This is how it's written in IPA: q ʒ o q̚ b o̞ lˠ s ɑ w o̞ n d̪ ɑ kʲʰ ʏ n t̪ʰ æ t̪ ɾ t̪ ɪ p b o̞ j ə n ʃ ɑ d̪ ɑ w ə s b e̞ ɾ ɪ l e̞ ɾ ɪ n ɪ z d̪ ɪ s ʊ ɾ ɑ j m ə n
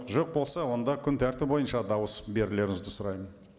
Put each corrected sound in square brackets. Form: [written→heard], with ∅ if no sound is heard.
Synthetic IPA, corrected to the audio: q ʒ o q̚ b o̞ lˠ s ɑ w o̞ n d̪ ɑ kʲʰ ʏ n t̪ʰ æ [t̪→∅] ɾ t̪ ɪ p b o̞ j ə n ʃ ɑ d̪ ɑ w ə s b e̞ ɾ ɪ l e̞ ɾ ɪ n ɪ z d̪ ɪ s ʊ ɾ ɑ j m ə n